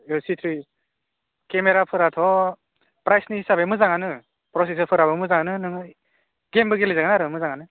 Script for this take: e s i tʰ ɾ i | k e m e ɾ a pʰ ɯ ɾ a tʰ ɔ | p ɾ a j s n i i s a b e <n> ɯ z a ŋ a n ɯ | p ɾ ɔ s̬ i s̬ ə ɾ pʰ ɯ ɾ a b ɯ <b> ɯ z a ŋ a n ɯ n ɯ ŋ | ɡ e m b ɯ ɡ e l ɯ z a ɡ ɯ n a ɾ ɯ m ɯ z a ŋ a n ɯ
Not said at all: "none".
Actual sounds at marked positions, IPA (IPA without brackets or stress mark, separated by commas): m, m